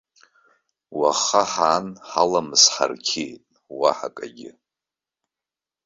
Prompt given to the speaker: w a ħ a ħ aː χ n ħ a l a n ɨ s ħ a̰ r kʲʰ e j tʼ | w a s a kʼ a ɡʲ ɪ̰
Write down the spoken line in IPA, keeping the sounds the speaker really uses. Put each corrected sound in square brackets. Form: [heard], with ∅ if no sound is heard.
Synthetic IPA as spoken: w a [χ] a ħ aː [∅] n ħ a l a [m] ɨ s ħ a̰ r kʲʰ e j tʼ | w a [ħ] a kʼ a ɡʲ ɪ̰